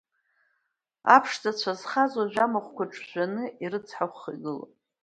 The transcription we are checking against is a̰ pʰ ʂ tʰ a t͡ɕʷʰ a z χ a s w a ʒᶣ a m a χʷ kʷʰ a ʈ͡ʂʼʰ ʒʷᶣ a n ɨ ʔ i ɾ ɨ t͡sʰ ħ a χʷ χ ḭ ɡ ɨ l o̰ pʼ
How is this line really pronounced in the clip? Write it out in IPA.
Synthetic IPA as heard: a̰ pʰ ʂ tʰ a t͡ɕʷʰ a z χ a z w a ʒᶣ a m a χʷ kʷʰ a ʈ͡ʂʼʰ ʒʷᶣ a n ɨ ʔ i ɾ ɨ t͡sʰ ħ a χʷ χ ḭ ɡ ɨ l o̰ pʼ